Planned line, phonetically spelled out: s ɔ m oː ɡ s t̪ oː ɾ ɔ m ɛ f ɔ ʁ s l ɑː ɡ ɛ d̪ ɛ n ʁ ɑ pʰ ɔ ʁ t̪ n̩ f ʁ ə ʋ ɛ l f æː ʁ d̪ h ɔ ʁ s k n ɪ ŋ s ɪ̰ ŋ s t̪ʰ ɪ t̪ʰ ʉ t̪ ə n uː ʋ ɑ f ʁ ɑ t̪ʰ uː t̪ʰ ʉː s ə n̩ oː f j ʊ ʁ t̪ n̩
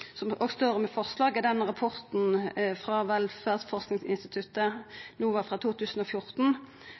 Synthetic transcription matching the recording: s ɔ m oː ɡ s t̪ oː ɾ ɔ m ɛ f ɔ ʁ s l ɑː ɡ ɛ d̪ ɛ n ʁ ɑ pʰ ɔ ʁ t̪ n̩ f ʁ ɑ ʋ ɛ l f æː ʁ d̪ f ɔ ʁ s k n ɪ ŋ s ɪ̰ n s t̪ ɪ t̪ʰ ʉ t̪ ə n uː ʋ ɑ f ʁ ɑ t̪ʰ uː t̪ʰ ʉː s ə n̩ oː f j ʊ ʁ t̪ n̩